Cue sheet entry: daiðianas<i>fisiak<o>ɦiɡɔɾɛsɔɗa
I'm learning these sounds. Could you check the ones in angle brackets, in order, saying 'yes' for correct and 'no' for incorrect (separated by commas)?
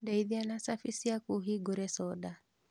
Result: no, no